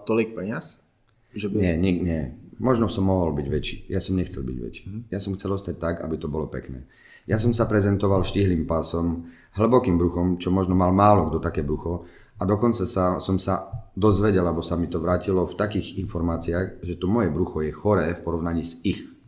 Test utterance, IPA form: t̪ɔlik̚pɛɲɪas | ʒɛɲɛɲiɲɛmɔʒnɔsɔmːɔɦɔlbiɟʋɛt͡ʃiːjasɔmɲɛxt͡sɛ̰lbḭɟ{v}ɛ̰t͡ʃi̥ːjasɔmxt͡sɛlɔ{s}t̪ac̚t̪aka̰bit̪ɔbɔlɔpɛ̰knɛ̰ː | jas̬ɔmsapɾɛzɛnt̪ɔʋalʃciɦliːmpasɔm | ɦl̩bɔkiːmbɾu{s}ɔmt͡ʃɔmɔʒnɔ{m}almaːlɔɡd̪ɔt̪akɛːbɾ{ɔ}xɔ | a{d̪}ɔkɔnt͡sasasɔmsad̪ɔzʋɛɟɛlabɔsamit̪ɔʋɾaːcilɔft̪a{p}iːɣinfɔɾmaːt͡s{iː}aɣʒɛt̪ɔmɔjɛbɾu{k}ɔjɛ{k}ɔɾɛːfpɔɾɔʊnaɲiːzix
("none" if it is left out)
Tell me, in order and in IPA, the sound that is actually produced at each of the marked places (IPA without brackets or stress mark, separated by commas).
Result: ʋ, s, x, m, u, d̪, k, i, x, x